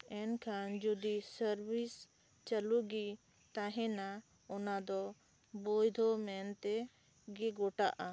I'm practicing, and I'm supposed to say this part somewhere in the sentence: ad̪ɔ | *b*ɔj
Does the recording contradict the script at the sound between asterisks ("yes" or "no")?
no